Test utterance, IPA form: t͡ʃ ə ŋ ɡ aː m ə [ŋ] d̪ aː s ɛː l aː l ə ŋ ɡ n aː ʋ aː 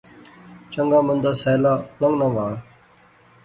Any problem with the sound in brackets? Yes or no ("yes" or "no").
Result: yes